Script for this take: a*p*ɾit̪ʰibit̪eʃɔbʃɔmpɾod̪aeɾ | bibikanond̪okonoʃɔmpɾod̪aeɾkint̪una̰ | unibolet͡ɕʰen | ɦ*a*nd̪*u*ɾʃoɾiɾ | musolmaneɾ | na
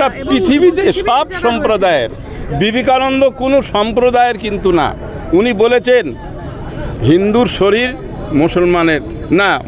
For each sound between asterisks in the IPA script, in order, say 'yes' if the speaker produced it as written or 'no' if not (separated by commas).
yes, no, yes